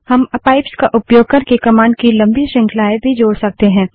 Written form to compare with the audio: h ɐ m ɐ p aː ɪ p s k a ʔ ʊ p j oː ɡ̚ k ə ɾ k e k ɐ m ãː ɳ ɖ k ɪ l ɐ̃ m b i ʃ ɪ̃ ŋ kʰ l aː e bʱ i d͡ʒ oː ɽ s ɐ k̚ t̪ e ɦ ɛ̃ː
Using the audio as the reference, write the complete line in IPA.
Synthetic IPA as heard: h ɐ m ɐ p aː ɪ p s k a ʔ ʊ p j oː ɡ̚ k ə ɾ k e k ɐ m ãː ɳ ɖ k i l ɐ̃ m b i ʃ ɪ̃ ŋ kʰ l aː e bʱ i d͡ʒ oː ɽ s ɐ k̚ t̪ e ɦ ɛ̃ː